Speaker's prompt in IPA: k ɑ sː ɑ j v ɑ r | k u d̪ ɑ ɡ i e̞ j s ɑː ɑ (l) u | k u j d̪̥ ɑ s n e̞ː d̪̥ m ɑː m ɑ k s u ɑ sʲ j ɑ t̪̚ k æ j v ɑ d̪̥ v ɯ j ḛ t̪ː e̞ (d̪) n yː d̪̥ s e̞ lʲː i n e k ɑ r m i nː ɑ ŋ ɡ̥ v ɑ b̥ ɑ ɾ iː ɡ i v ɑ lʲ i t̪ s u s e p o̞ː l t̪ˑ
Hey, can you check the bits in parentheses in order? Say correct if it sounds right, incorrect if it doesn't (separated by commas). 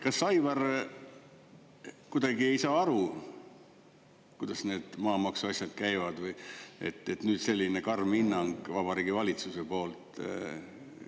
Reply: incorrect, incorrect